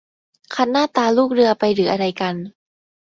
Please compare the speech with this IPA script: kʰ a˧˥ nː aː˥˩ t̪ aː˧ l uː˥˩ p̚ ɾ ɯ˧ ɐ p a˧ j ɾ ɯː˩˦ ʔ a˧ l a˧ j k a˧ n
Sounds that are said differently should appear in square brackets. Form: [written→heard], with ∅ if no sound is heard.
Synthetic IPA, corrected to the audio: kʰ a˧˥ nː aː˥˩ t̪ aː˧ l uː˥˩ [p̚→k̚] ɾ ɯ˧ ɐ p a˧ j ɾ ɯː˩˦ ʔ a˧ [l→ɾ] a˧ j k a˧ n